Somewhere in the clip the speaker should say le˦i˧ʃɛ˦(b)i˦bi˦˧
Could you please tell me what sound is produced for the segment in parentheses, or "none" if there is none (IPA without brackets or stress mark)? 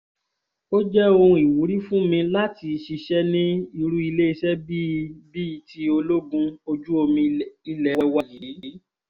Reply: b